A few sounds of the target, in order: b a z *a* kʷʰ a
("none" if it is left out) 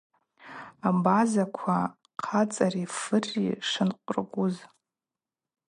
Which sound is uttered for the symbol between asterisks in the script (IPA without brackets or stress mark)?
a